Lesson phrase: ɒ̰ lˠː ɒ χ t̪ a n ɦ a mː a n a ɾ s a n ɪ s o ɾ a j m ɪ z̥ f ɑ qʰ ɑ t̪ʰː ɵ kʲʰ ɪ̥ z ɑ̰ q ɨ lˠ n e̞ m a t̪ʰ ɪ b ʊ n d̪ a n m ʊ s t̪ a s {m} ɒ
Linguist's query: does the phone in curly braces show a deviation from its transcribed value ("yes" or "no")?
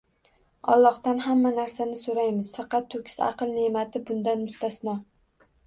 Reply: yes